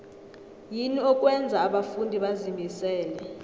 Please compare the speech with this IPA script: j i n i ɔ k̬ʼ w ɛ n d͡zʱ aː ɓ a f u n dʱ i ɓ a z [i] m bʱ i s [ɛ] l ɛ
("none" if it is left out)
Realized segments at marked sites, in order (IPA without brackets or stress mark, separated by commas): i, ɛː